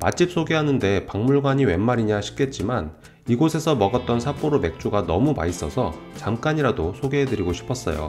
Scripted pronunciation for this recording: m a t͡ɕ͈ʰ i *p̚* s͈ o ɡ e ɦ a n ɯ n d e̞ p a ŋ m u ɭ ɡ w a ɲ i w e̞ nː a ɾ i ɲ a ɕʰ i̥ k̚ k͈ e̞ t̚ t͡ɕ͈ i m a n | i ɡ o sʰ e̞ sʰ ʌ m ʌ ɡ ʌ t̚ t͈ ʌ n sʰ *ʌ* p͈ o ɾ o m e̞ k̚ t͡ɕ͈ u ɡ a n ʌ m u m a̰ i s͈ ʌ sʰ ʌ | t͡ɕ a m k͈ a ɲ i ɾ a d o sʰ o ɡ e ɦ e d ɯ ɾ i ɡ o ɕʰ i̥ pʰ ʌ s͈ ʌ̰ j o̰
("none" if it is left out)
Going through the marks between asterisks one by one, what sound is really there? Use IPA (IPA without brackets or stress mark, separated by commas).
p̚, a